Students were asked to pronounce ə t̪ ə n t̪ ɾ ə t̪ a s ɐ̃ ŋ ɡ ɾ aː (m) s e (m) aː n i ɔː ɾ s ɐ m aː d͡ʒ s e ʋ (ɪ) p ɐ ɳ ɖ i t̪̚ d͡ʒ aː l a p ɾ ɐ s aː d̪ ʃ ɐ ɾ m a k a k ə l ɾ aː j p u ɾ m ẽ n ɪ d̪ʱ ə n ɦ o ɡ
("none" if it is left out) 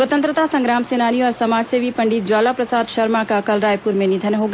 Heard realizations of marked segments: m, n, i

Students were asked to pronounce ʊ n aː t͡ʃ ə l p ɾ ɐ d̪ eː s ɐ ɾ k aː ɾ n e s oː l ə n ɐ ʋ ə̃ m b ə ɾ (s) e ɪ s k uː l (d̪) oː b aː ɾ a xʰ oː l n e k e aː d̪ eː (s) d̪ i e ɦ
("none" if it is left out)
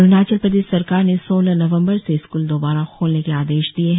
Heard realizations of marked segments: s, d̪, ʃ

